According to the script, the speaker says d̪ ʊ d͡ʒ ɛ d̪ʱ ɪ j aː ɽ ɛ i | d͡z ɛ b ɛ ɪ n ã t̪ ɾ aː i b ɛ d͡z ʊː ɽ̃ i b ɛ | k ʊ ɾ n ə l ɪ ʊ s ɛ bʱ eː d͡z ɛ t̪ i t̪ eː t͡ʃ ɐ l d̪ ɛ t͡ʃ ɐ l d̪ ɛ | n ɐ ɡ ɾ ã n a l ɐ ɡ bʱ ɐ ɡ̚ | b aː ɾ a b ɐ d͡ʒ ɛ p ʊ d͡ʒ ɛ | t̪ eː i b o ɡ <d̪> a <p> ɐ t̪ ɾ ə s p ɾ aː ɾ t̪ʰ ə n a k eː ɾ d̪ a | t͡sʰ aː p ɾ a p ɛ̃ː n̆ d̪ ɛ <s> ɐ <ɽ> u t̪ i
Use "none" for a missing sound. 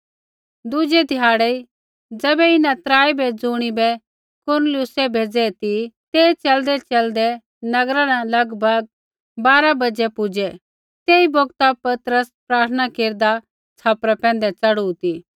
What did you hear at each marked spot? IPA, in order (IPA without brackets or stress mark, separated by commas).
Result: t̪, p, t͡s, ɽ